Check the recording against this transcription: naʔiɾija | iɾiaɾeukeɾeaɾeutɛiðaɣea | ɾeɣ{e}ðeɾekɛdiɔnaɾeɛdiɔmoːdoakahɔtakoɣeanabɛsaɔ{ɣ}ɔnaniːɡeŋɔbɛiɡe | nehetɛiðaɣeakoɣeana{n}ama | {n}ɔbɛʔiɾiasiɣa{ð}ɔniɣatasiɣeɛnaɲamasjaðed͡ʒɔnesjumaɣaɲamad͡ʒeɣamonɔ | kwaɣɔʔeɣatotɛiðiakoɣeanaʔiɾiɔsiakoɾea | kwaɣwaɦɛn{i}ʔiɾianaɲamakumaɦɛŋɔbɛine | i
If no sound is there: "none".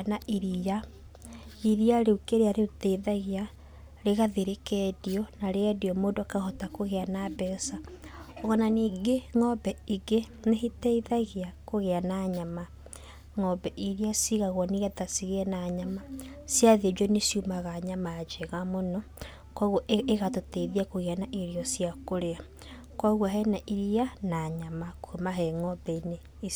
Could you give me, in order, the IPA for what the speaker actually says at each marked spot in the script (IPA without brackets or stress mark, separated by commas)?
a, ɣ, ɲ, ŋ, ɣ, a